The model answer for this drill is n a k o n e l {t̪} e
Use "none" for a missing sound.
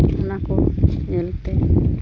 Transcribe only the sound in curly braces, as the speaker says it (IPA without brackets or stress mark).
t̪